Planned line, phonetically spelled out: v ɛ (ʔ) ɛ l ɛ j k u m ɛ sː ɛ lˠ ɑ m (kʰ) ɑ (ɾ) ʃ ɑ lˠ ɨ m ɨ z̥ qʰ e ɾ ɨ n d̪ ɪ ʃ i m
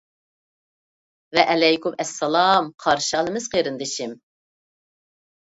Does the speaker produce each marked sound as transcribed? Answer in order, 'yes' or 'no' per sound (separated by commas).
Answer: yes, no, yes